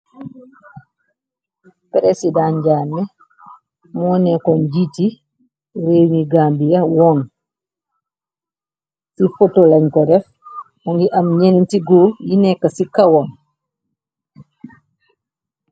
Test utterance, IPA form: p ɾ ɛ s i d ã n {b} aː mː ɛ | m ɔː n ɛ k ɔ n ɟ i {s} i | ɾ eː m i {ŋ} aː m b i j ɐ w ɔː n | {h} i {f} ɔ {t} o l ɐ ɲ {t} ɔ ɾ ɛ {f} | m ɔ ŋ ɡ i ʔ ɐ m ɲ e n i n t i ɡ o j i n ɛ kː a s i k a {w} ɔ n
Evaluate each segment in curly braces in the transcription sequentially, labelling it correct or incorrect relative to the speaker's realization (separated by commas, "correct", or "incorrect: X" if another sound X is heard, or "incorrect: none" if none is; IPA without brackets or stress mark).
incorrect: ɟ, incorrect: t, incorrect: ɡ, incorrect: s, correct, correct, incorrect: k, correct, correct